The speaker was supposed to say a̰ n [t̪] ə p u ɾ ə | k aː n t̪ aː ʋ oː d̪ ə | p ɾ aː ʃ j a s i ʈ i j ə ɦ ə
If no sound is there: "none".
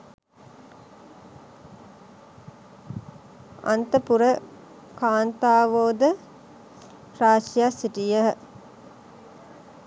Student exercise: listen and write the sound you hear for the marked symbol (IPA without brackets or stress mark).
t̪